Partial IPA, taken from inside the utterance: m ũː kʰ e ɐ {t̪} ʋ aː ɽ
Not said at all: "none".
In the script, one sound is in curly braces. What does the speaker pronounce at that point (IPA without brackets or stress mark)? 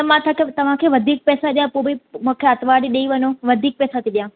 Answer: t̪